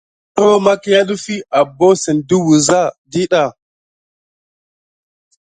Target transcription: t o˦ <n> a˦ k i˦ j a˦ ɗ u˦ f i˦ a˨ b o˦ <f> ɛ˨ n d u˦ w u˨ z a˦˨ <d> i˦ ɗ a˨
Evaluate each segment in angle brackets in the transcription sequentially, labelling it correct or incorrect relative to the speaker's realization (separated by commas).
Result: incorrect, incorrect, correct